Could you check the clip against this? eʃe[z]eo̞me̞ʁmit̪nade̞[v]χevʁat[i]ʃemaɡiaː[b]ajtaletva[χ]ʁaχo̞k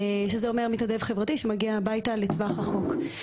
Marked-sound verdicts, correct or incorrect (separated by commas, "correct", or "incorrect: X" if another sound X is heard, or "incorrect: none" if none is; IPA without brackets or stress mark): correct, correct, correct, correct, correct